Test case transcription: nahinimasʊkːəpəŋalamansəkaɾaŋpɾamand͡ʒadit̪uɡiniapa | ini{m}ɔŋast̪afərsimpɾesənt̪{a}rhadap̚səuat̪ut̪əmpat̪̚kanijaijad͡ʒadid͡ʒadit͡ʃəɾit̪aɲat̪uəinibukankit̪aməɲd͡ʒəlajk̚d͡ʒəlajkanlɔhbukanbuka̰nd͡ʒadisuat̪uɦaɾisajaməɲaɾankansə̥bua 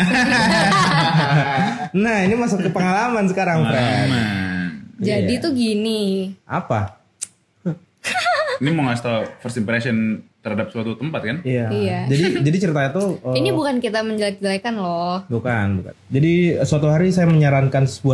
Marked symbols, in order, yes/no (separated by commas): yes, no